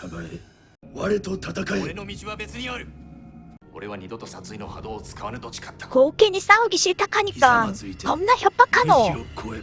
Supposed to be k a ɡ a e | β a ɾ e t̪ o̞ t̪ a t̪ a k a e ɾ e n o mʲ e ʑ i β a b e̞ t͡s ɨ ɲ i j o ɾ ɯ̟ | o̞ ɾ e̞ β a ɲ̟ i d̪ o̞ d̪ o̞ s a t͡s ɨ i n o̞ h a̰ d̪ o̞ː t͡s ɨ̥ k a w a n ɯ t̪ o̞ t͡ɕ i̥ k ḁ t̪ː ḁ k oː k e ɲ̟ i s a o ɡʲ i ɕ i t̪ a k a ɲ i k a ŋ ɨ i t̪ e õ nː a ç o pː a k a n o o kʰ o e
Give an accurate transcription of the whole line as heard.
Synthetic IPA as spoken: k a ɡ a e | β a ɾ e t̪ o̞ t̪ a t̪ a k a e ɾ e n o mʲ i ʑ i β a b e̞ t͡s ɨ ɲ i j o ɾ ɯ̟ | o̞ ɾ e̞ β a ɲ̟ i d̪ o̞ t̪ o̞ s a t͡s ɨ i n o̞ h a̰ d̪ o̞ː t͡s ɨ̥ k a β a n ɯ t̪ o̞ t͡ɕ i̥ k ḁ t̪ː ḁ k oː k e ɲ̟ i s a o ɡʲ i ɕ i t̪ a k a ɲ i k a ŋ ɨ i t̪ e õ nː a ç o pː a k a n o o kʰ o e